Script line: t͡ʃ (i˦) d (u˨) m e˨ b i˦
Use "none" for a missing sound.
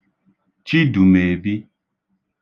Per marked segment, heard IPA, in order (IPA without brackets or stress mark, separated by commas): i˦, u˨